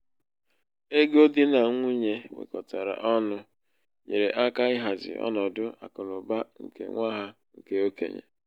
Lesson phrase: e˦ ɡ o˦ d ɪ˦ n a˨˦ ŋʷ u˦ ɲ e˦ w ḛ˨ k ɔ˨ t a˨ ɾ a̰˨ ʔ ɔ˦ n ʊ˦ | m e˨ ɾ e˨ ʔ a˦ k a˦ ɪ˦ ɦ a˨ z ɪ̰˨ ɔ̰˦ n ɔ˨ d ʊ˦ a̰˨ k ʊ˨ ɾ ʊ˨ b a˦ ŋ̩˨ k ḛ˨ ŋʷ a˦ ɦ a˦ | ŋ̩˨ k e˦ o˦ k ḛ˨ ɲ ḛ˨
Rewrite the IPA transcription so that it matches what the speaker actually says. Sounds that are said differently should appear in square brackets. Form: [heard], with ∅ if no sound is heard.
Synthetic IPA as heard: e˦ ɡ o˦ d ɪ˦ n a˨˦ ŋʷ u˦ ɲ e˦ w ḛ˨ k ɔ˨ t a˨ ɾ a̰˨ ʔ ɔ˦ n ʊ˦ | [ɲ] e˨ ɾ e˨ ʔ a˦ k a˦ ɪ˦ ɦ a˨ z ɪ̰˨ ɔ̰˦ n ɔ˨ d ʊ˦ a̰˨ k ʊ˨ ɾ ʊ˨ b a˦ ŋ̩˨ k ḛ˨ ŋʷ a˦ ɦ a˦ | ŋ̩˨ k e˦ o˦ k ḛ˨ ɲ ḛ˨